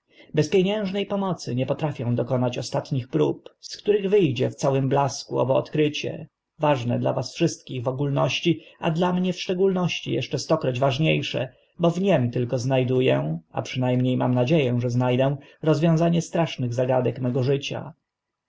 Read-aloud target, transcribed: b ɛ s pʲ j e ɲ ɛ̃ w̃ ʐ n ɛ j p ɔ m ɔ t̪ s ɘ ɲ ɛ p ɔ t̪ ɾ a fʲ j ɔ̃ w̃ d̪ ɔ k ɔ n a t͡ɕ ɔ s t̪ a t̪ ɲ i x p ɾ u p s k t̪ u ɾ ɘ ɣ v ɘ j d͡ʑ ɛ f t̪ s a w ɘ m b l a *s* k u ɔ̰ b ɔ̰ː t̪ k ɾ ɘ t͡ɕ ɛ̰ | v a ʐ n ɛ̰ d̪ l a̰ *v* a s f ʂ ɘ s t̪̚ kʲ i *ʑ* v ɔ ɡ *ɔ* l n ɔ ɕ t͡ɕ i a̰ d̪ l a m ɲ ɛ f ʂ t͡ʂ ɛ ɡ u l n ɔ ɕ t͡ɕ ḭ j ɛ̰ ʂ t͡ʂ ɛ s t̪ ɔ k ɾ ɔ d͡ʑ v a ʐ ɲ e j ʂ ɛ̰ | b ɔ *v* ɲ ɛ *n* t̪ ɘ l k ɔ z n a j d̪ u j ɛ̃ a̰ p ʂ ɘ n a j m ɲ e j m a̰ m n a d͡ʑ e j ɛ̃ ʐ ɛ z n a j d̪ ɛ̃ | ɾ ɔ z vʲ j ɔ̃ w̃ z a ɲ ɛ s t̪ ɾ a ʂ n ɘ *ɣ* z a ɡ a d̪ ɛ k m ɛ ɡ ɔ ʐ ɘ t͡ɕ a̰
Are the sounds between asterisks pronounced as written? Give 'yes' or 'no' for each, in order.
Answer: yes, yes, no, no, yes, no, yes

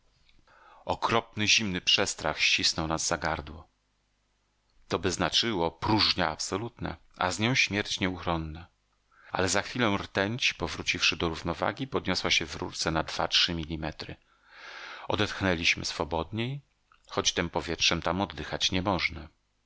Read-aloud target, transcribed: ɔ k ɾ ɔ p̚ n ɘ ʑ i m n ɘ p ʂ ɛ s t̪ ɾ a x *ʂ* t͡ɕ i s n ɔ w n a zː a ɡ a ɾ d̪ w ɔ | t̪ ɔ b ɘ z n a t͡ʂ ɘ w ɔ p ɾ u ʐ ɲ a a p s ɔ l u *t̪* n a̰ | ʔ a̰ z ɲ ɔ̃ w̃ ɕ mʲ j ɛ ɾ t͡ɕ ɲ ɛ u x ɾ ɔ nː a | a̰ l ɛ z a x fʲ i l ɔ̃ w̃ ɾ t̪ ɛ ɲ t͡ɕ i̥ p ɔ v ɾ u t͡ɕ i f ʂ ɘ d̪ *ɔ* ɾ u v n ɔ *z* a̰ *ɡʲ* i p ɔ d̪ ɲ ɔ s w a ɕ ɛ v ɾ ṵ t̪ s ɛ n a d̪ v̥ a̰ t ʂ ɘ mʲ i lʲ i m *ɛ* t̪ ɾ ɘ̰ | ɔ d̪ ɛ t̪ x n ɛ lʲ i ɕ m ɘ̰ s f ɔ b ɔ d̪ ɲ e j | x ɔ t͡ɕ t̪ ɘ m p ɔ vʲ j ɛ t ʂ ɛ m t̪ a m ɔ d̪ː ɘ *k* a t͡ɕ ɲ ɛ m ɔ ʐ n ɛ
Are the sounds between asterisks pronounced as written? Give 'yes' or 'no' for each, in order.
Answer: no, yes, yes, no, yes, yes, no

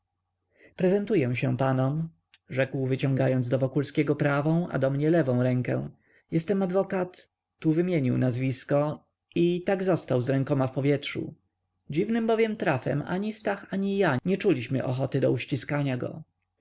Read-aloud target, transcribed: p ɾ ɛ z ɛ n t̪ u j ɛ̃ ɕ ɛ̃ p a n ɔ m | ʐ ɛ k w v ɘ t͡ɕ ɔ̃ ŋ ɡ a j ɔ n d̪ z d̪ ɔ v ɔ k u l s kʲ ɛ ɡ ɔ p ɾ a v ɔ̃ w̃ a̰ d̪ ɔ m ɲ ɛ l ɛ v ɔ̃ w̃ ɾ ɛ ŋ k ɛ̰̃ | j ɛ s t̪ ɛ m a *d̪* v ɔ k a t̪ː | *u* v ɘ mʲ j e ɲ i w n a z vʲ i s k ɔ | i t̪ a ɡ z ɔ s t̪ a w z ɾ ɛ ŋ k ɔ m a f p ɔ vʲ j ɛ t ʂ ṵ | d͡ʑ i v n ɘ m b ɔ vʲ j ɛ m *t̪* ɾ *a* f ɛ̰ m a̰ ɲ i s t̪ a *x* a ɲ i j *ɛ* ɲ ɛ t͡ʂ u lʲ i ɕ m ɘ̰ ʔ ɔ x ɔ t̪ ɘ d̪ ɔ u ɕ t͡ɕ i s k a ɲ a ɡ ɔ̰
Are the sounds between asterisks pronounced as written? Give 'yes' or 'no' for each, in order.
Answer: yes, yes, yes, yes, yes, no

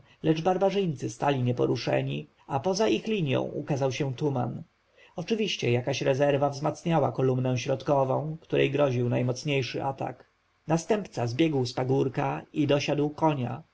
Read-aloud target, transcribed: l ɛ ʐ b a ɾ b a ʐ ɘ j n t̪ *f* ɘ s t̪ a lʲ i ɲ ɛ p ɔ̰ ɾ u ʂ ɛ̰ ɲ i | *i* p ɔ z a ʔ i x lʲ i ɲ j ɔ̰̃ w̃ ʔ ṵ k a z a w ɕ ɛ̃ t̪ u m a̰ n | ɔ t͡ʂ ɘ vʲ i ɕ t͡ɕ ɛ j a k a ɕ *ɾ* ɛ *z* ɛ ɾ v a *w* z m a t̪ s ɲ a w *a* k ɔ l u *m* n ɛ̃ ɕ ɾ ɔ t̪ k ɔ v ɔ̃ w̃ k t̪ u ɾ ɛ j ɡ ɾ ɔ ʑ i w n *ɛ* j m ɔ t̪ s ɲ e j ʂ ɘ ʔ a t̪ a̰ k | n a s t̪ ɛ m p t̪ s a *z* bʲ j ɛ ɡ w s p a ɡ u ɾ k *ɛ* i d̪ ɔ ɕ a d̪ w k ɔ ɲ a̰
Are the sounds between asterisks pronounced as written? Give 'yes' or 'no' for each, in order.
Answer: no, no, yes, yes, no, yes, yes, no, yes, no

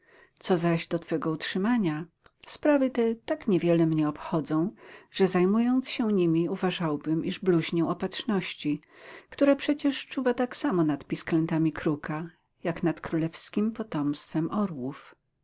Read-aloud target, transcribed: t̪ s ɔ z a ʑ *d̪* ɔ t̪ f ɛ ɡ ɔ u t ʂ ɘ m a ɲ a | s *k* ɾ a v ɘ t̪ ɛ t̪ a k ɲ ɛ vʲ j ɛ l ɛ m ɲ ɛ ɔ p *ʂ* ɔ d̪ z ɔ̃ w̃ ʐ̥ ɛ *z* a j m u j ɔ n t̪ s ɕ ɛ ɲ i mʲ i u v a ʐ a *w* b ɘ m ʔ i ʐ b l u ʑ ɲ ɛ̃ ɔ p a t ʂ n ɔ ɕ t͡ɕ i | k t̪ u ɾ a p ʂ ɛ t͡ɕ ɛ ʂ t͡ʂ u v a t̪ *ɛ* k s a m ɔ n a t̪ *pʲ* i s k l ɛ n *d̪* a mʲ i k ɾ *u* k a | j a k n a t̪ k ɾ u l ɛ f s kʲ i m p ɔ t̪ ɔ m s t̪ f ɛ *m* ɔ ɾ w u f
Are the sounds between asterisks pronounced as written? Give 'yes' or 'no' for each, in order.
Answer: yes, no, no, yes, yes, no, yes, no, yes, yes

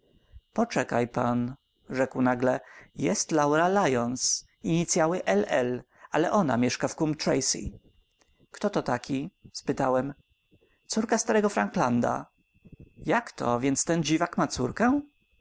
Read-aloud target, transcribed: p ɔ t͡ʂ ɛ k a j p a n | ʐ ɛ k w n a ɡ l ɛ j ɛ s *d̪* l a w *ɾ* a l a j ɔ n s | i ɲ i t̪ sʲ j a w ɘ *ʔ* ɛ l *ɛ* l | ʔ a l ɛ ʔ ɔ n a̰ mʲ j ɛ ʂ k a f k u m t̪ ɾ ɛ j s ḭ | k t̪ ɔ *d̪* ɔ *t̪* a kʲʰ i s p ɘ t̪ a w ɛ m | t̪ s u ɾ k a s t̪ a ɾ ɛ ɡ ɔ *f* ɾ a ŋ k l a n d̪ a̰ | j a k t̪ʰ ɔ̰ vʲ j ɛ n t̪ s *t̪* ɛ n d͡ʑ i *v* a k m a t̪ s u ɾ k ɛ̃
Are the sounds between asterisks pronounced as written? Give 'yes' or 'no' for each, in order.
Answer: no, yes, yes, yes, no, yes, yes, yes, yes

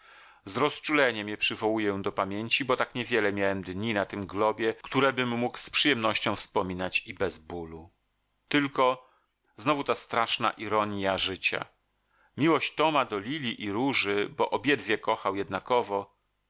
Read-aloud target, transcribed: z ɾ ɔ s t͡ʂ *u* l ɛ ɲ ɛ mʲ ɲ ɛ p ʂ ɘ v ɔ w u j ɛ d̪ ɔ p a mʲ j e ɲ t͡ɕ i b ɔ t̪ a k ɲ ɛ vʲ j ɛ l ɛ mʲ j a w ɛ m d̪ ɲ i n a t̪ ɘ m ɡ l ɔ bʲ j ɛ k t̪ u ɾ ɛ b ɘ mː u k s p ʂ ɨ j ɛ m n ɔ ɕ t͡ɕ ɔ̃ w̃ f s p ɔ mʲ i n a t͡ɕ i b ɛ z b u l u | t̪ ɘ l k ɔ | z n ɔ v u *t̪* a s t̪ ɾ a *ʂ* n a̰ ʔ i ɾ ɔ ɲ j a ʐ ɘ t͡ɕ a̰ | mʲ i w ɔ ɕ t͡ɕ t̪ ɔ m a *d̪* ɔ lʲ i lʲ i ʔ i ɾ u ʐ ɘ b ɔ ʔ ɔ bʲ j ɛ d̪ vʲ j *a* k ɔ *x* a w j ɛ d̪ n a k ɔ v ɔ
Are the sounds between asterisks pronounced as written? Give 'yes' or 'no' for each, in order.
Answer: yes, yes, yes, yes, no, yes

